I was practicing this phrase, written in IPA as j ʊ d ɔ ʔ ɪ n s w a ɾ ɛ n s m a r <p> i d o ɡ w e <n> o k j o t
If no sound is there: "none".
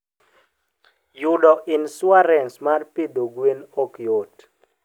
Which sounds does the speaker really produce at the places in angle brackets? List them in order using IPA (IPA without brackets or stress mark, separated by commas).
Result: p, n